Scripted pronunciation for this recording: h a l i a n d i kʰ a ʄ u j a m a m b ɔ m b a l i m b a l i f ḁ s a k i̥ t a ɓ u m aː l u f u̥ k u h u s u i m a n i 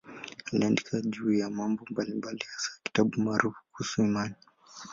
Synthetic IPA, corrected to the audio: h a l i a n d i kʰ a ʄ u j a m a m b ɔ m b a l i m b a l i h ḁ s a k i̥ t a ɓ u m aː ɾ u f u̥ k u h u s u i m a n i